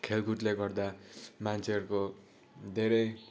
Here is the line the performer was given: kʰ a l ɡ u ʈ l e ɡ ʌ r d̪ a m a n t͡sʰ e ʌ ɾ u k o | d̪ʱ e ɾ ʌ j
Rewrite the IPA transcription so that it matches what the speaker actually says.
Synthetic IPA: kʰ e l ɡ u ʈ l e ɡ ʌ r d̪ a m a n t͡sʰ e ʌ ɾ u k o | d̪ʱ e ɾ ʌ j